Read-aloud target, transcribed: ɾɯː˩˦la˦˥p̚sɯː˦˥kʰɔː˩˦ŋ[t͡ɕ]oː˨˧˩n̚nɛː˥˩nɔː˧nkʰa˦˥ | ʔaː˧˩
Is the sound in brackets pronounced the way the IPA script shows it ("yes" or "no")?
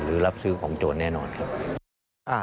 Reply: yes